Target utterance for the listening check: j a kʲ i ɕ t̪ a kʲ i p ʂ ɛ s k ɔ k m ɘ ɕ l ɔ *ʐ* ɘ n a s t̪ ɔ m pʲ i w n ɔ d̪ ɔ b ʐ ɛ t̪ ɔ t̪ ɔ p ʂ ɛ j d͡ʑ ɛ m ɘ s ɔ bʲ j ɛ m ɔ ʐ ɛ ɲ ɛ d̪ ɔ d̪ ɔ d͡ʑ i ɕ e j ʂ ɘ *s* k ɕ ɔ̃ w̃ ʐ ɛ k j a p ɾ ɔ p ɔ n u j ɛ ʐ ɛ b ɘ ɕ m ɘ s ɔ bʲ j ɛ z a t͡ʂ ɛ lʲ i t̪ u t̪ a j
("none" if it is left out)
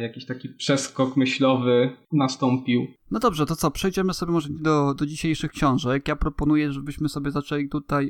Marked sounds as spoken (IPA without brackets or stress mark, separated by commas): v, x